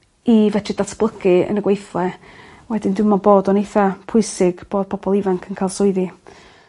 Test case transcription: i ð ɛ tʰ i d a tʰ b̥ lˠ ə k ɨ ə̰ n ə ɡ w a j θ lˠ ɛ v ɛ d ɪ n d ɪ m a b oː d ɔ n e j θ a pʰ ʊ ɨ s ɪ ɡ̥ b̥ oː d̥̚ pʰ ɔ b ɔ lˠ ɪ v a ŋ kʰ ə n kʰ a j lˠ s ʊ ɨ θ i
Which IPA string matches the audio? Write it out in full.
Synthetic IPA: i v ɛ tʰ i d a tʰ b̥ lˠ ə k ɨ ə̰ n ə ɡ w e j θ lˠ ɛ w ɛ d ɪ n d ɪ m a b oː d ɔ n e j θ a pʰ ʊ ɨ s ɪ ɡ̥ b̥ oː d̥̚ pʰ ɔ b ɔ lˠ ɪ v a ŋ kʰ ə n kʰ a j lˠ s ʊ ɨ ð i